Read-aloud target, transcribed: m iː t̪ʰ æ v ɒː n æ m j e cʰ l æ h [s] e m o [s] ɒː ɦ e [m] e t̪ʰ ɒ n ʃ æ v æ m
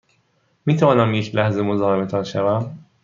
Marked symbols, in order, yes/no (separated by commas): no, no, yes